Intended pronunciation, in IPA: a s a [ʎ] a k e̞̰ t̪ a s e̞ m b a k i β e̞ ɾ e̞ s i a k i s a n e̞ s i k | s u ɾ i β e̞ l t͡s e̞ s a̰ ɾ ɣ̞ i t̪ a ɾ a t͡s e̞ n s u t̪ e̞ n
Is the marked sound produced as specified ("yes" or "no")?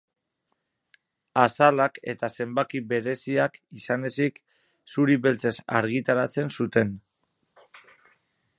no